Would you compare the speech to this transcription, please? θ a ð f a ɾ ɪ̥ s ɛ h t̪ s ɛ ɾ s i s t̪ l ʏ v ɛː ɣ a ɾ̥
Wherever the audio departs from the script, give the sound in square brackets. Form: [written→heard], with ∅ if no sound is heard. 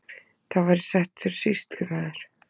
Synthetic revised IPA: θ a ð [f→v] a ɾ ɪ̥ s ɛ h t̪ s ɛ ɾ s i s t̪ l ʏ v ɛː [ɣ→ð] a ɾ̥